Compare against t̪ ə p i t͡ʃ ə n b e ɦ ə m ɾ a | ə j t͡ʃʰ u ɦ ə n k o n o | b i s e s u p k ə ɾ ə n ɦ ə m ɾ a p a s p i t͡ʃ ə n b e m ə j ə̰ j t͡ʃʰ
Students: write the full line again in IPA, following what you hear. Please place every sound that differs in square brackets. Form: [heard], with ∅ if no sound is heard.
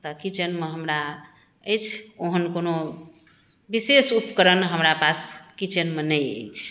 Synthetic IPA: t̪ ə [k] i t͡ʃ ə n [m] e ɦ ə m ɾ a | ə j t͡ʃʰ [o] ɦ ə n k o n o | b i s e s u p k ə ɾ ə n ɦ ə m ɾ a p a s [k] i t͡ʃ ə n [m] e [n] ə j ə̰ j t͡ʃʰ